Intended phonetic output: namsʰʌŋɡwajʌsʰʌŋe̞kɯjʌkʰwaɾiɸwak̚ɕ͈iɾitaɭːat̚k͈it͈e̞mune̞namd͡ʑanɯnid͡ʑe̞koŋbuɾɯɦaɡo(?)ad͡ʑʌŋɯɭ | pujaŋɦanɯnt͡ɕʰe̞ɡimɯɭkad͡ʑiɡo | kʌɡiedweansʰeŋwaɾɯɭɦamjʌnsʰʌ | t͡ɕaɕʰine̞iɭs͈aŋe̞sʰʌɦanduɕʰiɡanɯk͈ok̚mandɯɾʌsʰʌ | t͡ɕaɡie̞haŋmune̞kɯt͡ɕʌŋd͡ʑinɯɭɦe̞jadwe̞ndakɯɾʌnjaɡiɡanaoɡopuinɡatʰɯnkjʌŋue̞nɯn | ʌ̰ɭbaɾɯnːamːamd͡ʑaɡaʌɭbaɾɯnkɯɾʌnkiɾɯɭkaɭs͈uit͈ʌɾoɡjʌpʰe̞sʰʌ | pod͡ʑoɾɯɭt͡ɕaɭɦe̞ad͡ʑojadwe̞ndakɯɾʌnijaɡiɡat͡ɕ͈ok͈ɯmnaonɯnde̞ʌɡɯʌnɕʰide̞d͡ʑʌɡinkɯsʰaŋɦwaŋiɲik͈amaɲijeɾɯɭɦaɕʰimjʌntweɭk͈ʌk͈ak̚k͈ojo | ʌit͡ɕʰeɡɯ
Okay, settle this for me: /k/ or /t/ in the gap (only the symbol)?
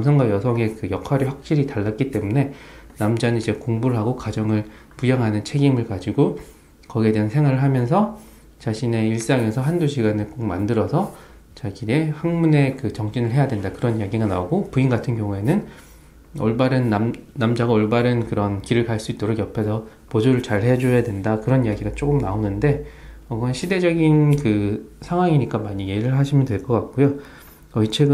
k